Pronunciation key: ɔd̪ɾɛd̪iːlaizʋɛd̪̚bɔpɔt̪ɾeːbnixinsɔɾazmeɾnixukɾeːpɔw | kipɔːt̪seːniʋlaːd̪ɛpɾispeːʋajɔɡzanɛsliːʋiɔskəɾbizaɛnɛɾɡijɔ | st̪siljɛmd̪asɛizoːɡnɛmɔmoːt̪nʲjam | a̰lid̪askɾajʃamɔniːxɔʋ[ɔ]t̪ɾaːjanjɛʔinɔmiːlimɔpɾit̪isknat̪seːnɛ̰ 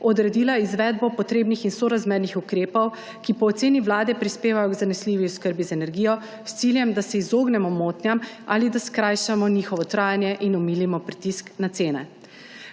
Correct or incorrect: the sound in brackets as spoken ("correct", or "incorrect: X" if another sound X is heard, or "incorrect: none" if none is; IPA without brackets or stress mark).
correct